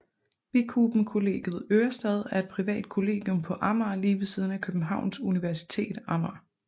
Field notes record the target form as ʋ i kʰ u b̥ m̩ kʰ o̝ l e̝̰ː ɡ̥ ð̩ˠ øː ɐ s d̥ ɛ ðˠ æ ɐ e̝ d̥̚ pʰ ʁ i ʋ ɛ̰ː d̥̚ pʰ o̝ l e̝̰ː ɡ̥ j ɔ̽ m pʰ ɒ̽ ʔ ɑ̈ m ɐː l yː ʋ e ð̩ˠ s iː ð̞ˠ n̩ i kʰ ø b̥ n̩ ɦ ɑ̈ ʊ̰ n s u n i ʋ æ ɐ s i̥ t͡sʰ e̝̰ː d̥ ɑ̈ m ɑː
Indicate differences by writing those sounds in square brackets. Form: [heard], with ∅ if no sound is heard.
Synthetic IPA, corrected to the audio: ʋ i kʰ u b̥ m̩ kʰ o̝ l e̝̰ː ɡ̥ ð̩ˠ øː ɐ s d̥ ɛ ðˠ æ ɐ e̝ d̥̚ pʰ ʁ i ʋ ɛ̰ː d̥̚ [kʰ] o̝ l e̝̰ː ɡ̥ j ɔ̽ m pʰ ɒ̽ ʔ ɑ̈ m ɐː l [iː] ʋ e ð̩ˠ s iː ð̞ˠ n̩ [æ] kʰ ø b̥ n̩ ɦ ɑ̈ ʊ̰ n s u n i ʋ æ ɐ s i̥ t͡sʰ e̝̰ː d̥ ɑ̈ m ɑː